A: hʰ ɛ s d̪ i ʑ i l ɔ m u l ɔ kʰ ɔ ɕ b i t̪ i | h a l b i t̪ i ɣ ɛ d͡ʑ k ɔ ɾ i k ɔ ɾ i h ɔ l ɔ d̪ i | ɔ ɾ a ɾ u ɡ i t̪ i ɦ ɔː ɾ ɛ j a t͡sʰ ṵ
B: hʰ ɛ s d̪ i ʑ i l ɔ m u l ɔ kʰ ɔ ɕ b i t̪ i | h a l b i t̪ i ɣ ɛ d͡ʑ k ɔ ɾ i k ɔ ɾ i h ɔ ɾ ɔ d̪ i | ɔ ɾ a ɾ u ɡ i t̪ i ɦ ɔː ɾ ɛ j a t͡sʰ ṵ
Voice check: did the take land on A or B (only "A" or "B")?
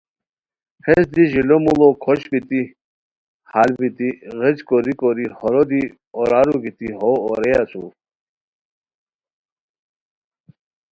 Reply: B